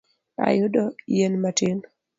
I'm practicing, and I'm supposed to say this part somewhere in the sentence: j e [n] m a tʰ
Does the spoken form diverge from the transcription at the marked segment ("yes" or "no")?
no